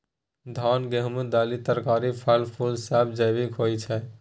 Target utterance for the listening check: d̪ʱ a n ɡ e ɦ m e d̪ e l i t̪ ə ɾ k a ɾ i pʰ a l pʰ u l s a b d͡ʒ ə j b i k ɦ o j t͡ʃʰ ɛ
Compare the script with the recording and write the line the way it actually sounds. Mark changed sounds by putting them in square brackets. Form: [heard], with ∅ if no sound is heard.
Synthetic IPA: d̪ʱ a n ɡ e ɦ m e d̪ [a] l i t̪ ə ɾ k a ɾ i pʰ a l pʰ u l s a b d͡ʒ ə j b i k ɦ o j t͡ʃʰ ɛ